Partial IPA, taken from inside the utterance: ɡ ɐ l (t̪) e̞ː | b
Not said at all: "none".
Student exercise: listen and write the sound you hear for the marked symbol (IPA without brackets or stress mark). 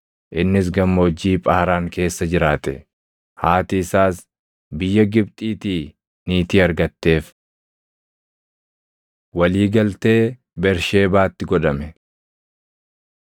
t̪